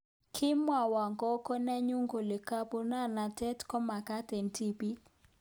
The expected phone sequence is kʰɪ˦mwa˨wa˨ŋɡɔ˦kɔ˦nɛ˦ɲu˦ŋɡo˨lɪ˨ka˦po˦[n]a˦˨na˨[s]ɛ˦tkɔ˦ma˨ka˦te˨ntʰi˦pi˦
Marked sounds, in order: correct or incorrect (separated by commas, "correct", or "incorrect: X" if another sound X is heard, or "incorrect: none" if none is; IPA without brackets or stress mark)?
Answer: correct, incorrect: t